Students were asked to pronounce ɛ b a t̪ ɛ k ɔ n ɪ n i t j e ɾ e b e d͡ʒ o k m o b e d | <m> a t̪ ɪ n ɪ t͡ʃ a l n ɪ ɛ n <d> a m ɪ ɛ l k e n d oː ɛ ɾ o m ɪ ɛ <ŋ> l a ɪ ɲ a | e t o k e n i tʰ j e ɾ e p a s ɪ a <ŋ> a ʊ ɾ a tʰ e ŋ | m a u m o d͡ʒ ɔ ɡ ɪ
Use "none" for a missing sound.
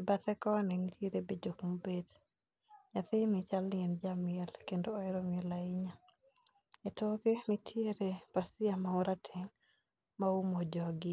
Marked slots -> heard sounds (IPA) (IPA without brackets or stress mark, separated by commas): ɲ, d͡ʒ, none, m